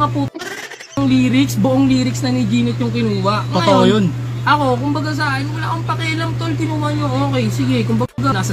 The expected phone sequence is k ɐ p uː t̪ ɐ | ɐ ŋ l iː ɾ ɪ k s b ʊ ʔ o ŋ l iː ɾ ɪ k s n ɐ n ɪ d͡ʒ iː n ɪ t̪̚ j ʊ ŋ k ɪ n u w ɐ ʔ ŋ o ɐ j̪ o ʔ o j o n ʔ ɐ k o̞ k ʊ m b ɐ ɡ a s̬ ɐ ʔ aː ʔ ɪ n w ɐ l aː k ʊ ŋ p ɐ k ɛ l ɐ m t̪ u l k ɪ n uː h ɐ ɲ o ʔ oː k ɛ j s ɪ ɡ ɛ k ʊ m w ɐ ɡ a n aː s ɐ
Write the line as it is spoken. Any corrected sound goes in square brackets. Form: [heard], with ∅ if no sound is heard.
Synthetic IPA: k ɐ p uː t̪ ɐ | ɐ ŋ l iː ɾ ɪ k s b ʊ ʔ o ŋ l iː ɾ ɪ k s n ɐ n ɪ d͡ʒ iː n ɪ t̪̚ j ʊ ŋ k ɪ n [uː] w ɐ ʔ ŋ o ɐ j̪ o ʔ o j o n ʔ ɐ k o̞ k ʊ m b ɐ ɡ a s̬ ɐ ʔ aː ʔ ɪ n w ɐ l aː k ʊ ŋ p ɐ k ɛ l ɐ m t̪ [o] l k ɪ n uː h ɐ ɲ o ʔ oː k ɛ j s ɪ ɡ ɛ k ʊ m [b] ɐ ɡ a n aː s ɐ